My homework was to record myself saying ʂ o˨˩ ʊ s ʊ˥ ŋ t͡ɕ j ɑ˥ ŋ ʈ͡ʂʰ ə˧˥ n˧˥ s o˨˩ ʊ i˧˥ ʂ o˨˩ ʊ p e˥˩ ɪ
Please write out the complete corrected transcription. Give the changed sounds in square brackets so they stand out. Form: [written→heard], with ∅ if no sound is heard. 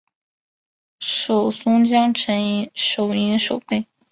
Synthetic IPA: ʂ o˨˩ ʊ s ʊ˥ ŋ t͡ɕ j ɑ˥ ŋ ʈ͡ʂʰ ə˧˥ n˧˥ [s→ʂ] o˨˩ ʊ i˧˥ ʂ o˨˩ ʊ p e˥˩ ɪ